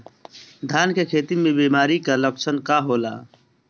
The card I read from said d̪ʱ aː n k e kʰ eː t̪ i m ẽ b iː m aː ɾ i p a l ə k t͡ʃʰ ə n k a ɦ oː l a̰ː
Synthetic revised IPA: d̪ʱ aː n k e kʰ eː t̪ i m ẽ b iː m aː ɾ i k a l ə k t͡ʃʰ ə n k a ɦ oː l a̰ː

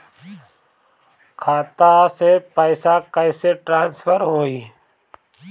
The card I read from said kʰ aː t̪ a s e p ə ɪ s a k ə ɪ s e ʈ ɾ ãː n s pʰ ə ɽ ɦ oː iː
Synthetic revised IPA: kʰ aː t̪ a s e p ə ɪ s a k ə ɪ s e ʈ ɾ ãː n s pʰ ə ɾ ɦ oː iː

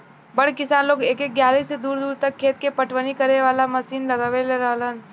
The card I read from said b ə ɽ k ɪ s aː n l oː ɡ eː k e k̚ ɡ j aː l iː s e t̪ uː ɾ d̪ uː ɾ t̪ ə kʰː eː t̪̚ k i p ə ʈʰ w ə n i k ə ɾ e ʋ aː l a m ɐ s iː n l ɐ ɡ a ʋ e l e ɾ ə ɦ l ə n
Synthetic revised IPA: b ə ɽ k ɪ s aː n l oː ɡ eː k e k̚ ɡ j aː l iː s e d̪ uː ɾ d̪ uː ɾ t̪ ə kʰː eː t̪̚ k e p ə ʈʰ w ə n i k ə ɾ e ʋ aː l a m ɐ s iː n l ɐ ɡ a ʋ e l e ɾ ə ɦ l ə n

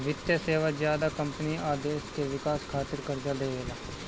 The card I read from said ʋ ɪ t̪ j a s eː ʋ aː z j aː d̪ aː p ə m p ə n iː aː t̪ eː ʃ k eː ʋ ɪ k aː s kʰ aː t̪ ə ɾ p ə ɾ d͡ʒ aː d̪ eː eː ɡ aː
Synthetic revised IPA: ʋ ɪ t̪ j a s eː ʋ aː z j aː d̪ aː k ə m p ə n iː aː d̪ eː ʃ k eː ʋ ɪ k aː s kʰ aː t̪ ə ɾ k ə ɾ d͡ʒ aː d̪ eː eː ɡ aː

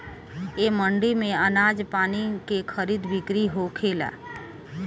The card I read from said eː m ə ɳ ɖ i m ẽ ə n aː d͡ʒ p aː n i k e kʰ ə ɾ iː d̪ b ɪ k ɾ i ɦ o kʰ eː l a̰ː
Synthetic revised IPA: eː m ə ɳ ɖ i m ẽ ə n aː d͡ʒ p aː n i k e kʰ ə ɾ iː d̪ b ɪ k ɾ i ɦ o kʰ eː l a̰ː

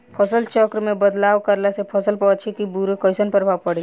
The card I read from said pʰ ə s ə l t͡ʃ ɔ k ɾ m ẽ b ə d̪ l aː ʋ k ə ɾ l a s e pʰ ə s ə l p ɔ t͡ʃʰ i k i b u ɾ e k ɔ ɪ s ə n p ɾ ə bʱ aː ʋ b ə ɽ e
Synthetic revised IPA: pʰ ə s ə l t͡ʃ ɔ k ɾ m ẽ b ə d̪ l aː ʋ k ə ɾ l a s e pʰ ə s ə l p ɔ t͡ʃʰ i k i b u ɾ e k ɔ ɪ s ə n p ɾ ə bʱ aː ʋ p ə ɽ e

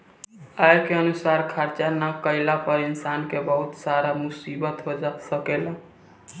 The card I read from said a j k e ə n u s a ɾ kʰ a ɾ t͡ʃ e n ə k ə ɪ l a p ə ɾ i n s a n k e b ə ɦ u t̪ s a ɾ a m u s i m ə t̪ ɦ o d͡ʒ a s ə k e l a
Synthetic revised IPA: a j k e ə n u s a ɾ kʰ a ɾ t͡ʃ a n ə k ə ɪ l a p ə ɾ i n s a n k e b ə ɦ u t̪ s a ɾ a m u s i b ə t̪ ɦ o d͡ʒ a s ə k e l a

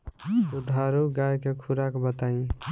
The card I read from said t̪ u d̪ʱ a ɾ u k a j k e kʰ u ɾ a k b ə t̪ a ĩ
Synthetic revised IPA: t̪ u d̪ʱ a ɾ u ɡ a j k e kʰ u ɾ a k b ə t̪ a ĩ

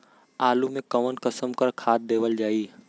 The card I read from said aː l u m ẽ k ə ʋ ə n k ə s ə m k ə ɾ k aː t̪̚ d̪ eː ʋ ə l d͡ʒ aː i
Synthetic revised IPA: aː l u m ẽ k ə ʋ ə n k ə s ə m k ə ɾ kʰ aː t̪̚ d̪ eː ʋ ə l d͡ʒ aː i

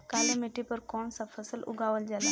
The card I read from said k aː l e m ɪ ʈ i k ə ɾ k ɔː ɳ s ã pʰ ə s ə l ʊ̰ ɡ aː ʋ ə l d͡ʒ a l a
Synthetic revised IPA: k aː l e m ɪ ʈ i p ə ɾ k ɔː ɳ s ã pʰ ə s ə l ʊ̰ ɡ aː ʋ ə l d͡ʒ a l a

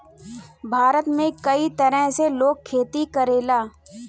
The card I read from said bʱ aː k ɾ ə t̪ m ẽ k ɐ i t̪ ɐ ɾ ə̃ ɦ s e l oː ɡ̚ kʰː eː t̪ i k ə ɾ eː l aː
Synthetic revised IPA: bʱ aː ɾ ə t̪ m ẽ k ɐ i t̪ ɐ ɾ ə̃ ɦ s e l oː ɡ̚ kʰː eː t̪ i k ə ɾ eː l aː

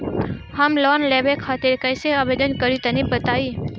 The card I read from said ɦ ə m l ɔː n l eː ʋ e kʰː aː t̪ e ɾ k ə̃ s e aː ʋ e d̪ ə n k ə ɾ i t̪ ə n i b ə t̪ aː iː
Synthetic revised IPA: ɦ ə m l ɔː n l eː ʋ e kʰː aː t̪ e ɾ k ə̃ s e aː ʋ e d̪ ə n k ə ɾ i t̪ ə n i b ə t̪ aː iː

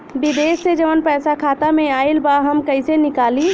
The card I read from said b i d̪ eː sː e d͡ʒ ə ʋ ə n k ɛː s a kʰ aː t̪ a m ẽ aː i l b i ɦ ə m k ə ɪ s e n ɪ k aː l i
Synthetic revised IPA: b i d̪ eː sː e d͡ʒ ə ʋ ə n p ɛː s a kʰ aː t̪ a m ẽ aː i l b a ɦ ə m k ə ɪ s e n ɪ k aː l i

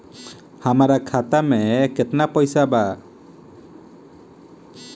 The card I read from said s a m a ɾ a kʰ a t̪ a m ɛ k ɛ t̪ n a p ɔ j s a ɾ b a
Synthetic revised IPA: h a m a ɾ a kʰ a t̪ a m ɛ k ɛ t̪ n a p ɔ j s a b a

